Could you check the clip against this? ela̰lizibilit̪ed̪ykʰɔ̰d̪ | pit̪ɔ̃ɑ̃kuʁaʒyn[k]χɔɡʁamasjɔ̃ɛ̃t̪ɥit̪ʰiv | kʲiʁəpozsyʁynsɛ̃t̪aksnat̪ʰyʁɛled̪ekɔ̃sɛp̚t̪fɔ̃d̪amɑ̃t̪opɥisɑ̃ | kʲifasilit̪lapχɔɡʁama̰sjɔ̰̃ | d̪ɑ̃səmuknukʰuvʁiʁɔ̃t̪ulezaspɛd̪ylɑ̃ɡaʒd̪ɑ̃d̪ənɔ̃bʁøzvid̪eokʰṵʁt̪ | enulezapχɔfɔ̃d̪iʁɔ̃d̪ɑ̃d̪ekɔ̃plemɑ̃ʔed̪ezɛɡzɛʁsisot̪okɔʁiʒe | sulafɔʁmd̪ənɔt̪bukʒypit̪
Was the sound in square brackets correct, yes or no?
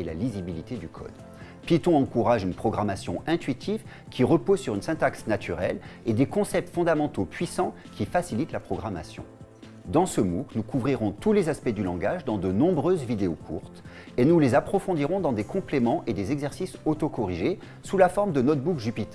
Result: no